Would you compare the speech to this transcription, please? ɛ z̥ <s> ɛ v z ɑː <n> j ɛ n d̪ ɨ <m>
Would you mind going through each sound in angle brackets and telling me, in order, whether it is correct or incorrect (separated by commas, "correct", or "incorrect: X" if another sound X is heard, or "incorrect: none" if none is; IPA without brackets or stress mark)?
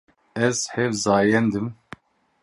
incorrect: h, incorrect: none, correct